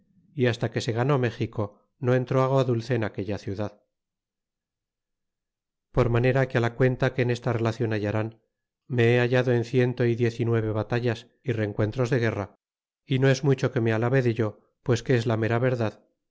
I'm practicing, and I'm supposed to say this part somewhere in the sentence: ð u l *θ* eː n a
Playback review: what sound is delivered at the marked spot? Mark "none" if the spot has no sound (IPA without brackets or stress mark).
θ